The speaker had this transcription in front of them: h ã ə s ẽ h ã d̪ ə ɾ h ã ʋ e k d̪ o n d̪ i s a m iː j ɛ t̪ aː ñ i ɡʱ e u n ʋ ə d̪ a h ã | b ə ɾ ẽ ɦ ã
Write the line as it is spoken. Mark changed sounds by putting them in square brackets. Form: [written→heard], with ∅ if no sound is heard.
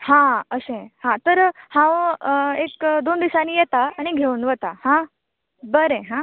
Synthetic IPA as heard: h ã ə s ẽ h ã [d̪→t̪] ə ɾ h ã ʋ e k d̪ o n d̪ i s a [m→n] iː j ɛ t̪ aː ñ i ɡʱ e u n ʋ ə [d̪→t̪] a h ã | b ə ɾ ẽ ɦ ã